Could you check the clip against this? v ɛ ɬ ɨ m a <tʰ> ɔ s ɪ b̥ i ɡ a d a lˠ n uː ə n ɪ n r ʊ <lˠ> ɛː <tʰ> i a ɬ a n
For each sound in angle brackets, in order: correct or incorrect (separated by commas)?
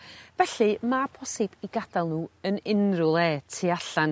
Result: incorrect, correct, correct